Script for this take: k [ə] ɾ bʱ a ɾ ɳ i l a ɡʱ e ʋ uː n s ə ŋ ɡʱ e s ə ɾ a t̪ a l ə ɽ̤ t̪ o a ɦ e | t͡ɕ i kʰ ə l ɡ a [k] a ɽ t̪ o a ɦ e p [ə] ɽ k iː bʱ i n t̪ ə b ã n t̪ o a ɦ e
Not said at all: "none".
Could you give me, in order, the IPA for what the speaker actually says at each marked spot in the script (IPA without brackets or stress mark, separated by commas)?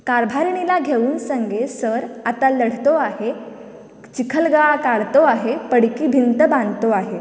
a, k, ə